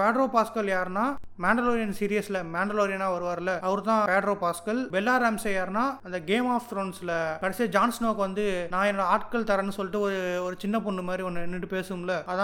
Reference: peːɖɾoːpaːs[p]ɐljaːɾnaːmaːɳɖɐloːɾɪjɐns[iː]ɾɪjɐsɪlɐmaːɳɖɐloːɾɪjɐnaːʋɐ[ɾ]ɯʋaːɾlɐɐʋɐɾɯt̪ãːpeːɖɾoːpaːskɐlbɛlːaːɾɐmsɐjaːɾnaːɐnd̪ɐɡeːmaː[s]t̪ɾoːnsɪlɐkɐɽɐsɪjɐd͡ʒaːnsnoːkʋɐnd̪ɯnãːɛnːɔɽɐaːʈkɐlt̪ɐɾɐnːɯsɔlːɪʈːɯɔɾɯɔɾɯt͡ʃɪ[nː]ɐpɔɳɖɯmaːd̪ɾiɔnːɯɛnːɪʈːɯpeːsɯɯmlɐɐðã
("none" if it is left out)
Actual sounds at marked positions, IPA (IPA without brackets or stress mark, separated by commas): k, iː, ɾ, f, nː